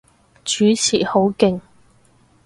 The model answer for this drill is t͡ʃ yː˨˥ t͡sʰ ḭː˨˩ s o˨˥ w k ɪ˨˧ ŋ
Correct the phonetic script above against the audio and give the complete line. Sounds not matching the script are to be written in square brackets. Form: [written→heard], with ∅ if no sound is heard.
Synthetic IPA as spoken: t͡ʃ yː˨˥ t͡sʰ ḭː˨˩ [s→h] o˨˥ w k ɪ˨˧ ŋ